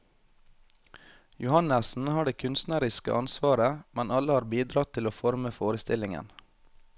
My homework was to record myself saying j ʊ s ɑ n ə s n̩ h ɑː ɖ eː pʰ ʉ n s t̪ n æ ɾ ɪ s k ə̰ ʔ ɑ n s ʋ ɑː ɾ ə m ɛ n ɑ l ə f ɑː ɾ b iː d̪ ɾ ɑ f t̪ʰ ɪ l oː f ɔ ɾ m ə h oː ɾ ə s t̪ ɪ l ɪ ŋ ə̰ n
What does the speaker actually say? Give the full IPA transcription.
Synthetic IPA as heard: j ʊ h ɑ n ə s n̩ h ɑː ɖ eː kʰ ʉ n s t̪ n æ ɾ ɪ s k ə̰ ʔ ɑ n s ʋ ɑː ɾ ə m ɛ n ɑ l ə h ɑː ɾ b iː d̪ ɾ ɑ t̪ʰ ɪ l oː f ɔ ɾ m ə f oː ɾ ə s t̪ ɪ l ɪ ŋ ə̰ n